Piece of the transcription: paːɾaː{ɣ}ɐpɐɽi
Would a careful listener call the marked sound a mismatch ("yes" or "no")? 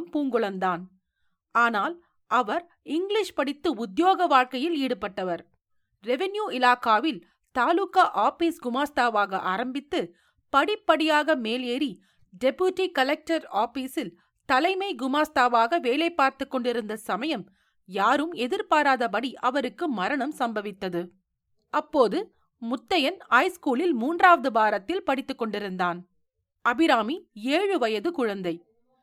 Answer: yes